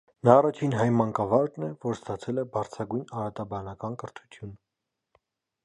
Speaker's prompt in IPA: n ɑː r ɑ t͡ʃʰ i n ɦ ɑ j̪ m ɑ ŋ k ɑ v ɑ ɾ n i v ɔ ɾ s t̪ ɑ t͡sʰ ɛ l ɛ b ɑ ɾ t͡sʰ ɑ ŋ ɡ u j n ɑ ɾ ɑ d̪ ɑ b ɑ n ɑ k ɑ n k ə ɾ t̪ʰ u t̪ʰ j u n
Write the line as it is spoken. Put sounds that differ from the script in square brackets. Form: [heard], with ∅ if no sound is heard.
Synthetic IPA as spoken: n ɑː r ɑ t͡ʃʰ i n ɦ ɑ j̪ m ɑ ŋ k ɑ v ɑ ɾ n [ɛ] v ɔ ɾ s t̪ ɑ t͡sʰ ɛ l ɛ b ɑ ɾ t͡sʰ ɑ [∅] ɡ u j n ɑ ɾ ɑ [t̪] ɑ b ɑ n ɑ k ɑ n k ə ɾ t̪ʰ u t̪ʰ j u n